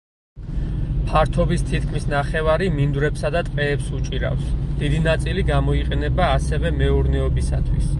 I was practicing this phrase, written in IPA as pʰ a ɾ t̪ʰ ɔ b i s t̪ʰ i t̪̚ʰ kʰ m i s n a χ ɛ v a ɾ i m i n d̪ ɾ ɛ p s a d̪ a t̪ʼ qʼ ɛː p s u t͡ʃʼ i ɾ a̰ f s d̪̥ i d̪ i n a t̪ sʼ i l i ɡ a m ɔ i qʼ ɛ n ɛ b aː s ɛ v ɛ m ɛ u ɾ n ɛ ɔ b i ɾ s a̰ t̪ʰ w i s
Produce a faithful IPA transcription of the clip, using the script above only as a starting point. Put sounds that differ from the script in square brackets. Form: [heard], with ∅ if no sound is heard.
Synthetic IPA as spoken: pʰ a ɾ t̪ʰ ɔ b i s t̪ʰ i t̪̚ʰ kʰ m i s n a χ ɛ v a ɾ i m i n d̪ ɾ ɛ p s a d̪ a t̪ʼ qʼ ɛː p s u t͡ʃʼ i ɾ a̰ f s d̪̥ i d̪ i n a t̪ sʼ i l i ɡ a m ɔ i qʼ ɛ n ɛ b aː s ɛ v ɛ m ɛ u ɾ n ɛ ɔ b i [∅] s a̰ t̪ʰ w i s

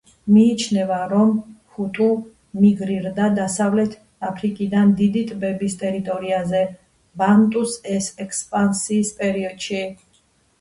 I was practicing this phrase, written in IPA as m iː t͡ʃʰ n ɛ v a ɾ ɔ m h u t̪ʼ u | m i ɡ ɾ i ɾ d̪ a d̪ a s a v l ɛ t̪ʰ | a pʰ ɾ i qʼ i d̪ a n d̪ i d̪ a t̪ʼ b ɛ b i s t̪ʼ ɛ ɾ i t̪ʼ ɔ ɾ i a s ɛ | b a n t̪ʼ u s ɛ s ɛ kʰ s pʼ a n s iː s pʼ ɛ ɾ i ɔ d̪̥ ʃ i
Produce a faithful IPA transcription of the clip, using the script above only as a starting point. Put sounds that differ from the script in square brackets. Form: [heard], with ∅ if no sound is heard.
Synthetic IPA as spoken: m iː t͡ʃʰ n ɛ v a ɾ ɔ m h u t̪ʼ u | m i ɡ ɾ i ɾ d̪ a d̪ a s a v l ɛ t̪ʰ | a pʰ ɾ i [kʼ] i d̪ a n d̪ i d̪ [i] t̪ʼ b ɛ b i s t̪ʼ ɛ ɾ i t̪ʼ ɔ ɾ i a [z] ɛ | b a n t̪ʼ u s ɛ s ɛ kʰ s pʼ a n s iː s pʼ ɛ ɾ i ɔ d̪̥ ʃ i

